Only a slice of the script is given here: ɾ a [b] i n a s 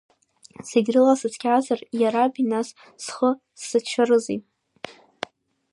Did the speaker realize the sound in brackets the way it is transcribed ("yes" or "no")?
yes